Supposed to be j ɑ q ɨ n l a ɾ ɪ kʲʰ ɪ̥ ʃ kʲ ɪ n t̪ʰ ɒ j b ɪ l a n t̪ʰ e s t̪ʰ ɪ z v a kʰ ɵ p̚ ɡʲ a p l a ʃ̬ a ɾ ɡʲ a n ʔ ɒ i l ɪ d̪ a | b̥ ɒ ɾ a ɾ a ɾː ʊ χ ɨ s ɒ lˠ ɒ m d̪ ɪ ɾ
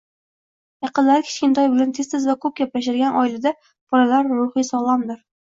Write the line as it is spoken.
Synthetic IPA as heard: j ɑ q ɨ n l a ɾ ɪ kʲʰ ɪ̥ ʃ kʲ ɪ n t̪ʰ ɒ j b ɪ l a n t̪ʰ e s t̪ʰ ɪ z v a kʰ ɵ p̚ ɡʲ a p l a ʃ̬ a ɾ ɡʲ a n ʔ ɒ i l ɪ d̪ a | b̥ ɒ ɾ a l a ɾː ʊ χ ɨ s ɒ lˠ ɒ m d̪ ɪ ɾ